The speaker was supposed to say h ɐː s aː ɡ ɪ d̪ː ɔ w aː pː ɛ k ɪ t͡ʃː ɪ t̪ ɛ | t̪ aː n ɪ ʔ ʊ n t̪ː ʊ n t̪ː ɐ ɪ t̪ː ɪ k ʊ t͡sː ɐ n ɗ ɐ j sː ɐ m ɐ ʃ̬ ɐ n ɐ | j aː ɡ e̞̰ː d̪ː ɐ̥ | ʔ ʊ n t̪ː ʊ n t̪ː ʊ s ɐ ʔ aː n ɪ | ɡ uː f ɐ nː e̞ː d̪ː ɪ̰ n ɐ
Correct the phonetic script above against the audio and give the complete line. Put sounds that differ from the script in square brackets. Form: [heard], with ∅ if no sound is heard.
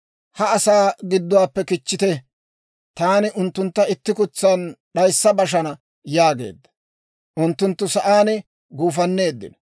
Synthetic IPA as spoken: h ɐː s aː ɡ ɪ d̪ː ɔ w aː pː ɛ k ɪ t͡ʃː ɪ t̪ ɛ | t̪ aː n ɪ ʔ ʊ n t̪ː ʊ n t̪ː ɐ ɪ t̪ː ɪ k ʊ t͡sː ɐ n ɗ ɐ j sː ɐ [b] ɐ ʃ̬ ɐ n ɐ | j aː ɡ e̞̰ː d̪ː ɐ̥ | ʔ ʊ n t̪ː ʊ n t̪ː ʊ s ɐ ʔ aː n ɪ | ɡ uː f ɐ nː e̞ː d̪ː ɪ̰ n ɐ